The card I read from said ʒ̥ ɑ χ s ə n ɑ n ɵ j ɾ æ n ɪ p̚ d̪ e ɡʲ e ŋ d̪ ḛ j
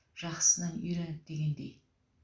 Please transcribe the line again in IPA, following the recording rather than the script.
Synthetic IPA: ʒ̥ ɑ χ s ə n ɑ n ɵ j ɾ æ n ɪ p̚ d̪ e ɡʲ e n d̪ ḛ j